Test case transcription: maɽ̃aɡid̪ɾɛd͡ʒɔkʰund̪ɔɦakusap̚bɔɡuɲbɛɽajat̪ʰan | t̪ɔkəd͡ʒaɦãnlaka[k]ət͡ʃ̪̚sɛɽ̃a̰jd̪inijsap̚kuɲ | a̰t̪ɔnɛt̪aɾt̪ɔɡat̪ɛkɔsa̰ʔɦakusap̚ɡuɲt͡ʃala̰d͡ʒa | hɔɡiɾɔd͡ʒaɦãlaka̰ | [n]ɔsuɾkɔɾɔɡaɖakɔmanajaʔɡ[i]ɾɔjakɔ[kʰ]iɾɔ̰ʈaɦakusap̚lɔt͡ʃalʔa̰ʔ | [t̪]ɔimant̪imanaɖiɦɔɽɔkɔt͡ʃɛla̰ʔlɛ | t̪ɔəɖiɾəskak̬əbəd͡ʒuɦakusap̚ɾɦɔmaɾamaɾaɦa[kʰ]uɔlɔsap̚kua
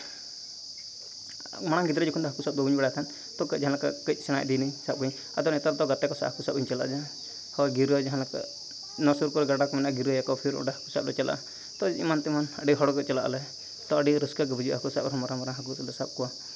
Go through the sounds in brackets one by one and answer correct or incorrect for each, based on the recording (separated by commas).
correct, correct, correct, incorrect, correct, incorrect